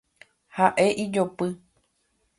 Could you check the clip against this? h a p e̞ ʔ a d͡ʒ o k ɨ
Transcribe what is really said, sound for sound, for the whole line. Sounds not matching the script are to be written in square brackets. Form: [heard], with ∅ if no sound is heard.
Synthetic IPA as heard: h a [ʔ] e̞ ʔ [i] d͡ʒ o [p] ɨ